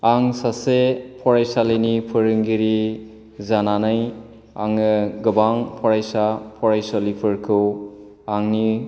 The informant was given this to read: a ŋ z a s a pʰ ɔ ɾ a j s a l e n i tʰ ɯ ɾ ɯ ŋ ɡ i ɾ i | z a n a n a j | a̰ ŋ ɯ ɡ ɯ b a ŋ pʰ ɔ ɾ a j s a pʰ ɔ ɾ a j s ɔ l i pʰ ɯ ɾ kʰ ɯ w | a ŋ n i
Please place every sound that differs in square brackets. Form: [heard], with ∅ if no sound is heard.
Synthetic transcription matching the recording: a ŋ [s] a s [e] pʰ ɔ ɾ a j s a l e n i [pʰ] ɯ ɾ ɯ ŋ ɡ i ɾ i | z a n a n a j | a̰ ŋ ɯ ɡ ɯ b a ŋ pʰ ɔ ɾ a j s a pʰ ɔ ɾ a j s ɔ l i pʰ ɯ ɾ kʰ ɯ w | a ŋ n i